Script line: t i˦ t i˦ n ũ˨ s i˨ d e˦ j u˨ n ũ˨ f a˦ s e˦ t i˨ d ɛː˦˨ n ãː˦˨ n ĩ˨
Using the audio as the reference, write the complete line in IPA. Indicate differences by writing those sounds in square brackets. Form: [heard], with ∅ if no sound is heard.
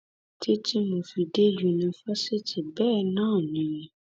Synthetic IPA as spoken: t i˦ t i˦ [m] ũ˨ [f] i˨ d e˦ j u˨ n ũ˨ f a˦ s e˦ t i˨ [b] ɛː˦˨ n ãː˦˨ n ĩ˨